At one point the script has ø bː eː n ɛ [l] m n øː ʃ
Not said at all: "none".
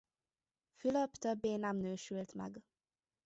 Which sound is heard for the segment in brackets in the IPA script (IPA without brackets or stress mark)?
none